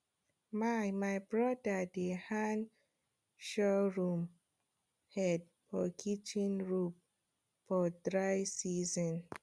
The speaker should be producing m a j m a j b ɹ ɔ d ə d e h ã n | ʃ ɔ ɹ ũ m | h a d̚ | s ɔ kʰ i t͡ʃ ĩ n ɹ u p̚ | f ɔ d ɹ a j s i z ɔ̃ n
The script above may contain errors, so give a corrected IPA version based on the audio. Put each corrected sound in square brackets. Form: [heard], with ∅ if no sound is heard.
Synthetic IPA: m a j m a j b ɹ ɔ d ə d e h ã n | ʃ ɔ ɹ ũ m | h [ɛ] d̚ | [f] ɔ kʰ i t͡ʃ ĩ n ɹ u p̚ | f ɔ d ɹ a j s i z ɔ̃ n